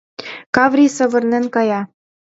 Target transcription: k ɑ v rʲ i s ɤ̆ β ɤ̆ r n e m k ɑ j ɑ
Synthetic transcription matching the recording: k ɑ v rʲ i s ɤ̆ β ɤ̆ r n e n k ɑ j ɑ